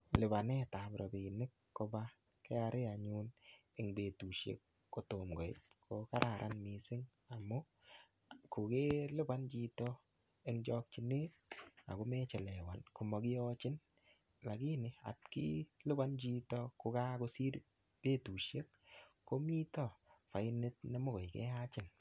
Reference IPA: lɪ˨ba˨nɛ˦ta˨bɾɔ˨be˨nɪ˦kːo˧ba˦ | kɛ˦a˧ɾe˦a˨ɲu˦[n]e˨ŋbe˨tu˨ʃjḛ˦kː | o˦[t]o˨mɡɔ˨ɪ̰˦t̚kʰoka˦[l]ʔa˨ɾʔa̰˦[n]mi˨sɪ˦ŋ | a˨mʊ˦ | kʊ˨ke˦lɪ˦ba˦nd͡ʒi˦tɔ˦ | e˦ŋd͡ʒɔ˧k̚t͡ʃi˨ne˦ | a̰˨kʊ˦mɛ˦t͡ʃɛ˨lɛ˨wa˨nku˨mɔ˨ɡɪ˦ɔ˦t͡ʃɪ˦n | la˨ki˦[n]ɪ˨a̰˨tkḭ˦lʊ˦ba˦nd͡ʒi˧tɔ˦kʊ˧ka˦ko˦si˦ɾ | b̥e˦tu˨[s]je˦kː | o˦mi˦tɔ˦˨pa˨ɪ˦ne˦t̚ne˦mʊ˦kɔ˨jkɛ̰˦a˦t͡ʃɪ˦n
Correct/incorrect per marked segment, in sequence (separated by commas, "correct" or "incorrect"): correct, correct, incorrect, correct, correct, incorrect